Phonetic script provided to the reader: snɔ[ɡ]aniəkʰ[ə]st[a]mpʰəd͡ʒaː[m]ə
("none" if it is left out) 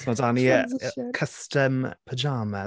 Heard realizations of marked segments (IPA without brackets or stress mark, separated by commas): d, ə, ə, m